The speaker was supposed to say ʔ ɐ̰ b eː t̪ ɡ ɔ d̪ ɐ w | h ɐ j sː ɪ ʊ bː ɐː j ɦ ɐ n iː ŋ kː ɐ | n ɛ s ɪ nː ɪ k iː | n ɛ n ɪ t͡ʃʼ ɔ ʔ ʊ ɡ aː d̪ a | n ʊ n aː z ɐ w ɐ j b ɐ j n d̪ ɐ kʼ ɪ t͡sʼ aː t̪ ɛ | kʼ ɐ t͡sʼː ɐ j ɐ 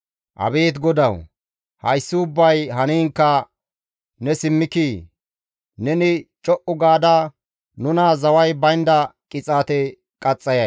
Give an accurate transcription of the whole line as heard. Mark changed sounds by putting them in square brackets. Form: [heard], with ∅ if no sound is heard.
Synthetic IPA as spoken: ʔ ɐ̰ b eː t̪ ɡ ɔ d̪ ɐ w | h ɐ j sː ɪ ʊ bː [ɐ] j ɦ ɐ n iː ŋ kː ɐ | n ɛ s ɪ [mː] ɪ k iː | n ɛ n ɪ t͡ʃʼ ɔ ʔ ʊ ɡ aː d̪ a | n ʊ n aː z ɐ w ɐ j b ɐ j n d̪ ɐ kʼ ɪ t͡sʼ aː t̪ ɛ | kʼ ɐ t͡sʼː ɐ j ɐ

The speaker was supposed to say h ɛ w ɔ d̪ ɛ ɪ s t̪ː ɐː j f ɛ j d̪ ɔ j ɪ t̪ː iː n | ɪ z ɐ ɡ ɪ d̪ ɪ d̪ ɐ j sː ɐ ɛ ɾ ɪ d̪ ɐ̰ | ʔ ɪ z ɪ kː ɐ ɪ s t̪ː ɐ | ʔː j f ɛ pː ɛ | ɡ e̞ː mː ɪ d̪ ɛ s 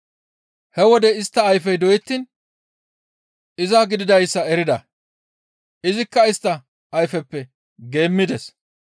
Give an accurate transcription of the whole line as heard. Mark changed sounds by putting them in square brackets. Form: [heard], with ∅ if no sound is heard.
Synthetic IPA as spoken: h ɛ w ɔ d̪ ɛ ɪ s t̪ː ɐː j f ɛ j d̪ ɔ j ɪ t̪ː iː n | ɪ z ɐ ɡ ɪ d̪ ɪ d̪ ɐ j sː ɐ ɛ ɾ ɪ d̪ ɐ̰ | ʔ ɪ z ɪ kː ɐ ɪ s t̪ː ɐ | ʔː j f ɛ pː ɛ | ɡ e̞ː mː ɪ d̪ ɛ s

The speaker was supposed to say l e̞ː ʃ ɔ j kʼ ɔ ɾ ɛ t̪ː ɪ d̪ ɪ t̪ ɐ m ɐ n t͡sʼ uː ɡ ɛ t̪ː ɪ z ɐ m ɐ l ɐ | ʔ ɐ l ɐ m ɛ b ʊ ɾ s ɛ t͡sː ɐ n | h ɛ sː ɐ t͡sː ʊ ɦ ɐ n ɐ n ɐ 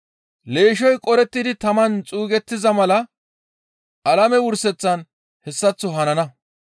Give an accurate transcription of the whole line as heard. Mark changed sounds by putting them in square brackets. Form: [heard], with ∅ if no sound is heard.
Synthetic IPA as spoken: l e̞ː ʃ ɔ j kʼ ɔ ɾ ɛ t̪ː ɪ d̪ ɪ t̪ ɐ m ɐ n t͡sʼ uː ɡ ɛ t̪ː ɪ z ɐ m ɐ l ɐ | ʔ ɐ l ɐ m ɛ [w] ʊ ɾ s ɛ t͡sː ɐ n | h ɛ sː ɐ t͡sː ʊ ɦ ɐ n ɐ n ɐ

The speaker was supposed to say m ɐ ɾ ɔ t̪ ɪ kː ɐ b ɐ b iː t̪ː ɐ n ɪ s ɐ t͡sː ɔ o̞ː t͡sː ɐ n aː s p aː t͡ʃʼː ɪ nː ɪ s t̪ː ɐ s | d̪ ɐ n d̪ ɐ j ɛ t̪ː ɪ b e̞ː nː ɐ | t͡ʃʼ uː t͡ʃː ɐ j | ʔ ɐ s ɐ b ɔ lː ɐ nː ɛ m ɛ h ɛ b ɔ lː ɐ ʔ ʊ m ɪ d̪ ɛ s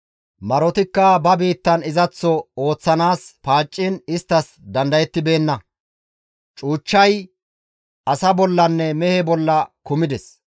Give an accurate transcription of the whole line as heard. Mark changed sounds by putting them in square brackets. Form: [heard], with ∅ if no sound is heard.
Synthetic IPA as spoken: m ɐ ɾ ɔ t̪ ɪ kː ɐ b ɐ b iː t̪ː ɐ n ɪ [z] ɐ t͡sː ɔ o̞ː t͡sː ɐ n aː s p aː t͡ʃʼː ɪ [n] ɪ s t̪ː ɐ s | d̪ ɐ n d̪ ɐ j ɛ t̪ː ɪ b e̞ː nː ɐ | t͡ʃʼ uː t͡ʃː ɐ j | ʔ ɐ s ɐ b ɔ lː ɐ nː ɛ m ɛ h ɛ b ɔ lː ɐ [k] ʊ m ɪ d̪ ɛ s

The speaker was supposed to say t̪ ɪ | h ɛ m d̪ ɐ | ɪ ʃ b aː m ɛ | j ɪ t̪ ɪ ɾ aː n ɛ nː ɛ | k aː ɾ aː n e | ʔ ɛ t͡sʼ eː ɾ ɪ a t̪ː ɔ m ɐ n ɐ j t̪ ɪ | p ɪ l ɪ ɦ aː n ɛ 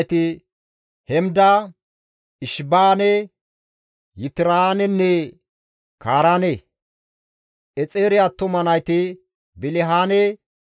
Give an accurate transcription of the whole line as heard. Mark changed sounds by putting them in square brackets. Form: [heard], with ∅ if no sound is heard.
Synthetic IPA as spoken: t̪ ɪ | h ɛ m d̪ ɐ | ɪ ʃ b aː [n] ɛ | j ɪ t̪ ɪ ɾ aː n ɛ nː ɛ | k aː ɾ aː n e | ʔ ɛ t͡sʼ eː ɾ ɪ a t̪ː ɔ m ɐ n ɐ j t̪ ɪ | [b] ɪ l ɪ ɦ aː n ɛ

